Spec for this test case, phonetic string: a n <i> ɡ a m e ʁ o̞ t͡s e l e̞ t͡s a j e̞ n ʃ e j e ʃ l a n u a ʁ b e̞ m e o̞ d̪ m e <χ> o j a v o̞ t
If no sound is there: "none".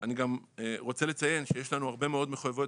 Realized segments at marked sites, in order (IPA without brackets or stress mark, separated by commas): i, χ